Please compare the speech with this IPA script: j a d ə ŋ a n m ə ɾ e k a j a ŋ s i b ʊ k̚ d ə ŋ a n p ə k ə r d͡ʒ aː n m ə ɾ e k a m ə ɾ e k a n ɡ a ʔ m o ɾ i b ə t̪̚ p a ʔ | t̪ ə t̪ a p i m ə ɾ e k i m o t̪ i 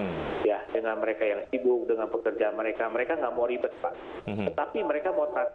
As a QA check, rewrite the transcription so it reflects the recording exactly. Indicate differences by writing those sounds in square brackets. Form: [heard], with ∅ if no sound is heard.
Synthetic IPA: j a d ə ŋ a n m ə ɾ e k a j a ŋ s i b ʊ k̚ d ə ŋ a n p ə k ə r d͡ʒ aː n m ə ɾ e k a m ə ɾ e k a [ŋ] ɡ a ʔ m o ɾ i b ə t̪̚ p a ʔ | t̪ ə t̪ a p i m ə ɾ e k [a] m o t̪ [a]